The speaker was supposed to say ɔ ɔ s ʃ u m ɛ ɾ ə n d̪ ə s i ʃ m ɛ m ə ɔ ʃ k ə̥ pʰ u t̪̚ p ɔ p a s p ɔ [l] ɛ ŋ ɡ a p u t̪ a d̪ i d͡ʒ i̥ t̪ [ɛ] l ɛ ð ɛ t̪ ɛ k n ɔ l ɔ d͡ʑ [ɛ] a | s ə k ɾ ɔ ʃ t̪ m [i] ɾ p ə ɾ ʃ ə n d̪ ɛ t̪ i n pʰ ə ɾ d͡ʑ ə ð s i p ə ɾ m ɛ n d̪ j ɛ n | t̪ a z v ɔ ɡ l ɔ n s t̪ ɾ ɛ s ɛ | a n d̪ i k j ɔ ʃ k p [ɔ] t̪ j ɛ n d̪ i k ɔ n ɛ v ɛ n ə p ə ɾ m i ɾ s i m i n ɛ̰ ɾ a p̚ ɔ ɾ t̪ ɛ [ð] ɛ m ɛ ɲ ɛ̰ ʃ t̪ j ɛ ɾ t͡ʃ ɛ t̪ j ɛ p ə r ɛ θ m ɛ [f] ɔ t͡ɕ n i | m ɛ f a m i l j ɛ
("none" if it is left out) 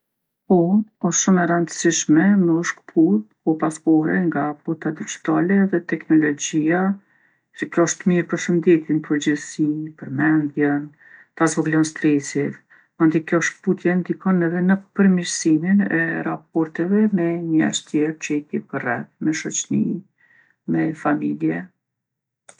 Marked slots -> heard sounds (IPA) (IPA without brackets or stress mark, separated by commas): ɾ, a, i, i, u, v, ʃ